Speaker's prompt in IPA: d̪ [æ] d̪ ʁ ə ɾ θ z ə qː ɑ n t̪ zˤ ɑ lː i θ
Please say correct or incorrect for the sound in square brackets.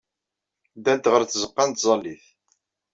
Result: correct